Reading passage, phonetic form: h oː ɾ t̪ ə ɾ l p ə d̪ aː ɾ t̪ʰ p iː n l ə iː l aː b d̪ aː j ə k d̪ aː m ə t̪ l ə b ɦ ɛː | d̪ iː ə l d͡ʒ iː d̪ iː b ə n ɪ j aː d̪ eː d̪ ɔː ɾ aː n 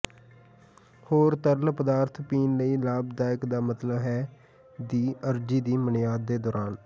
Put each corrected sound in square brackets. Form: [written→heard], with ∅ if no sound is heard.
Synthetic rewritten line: h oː ɾ t̪ ə ɾ l p ə d̪ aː ɾ t̪ʰ p iː n l ə iː l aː b d̪ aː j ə k d̪ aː m ə t̪ l ə b ɦ ɛː | d̪ iː ə [l→ɾ] d͡ʒ iː d̪ iː [b→m] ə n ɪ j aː [d̪→d̪ː] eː d̪ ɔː ɾ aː n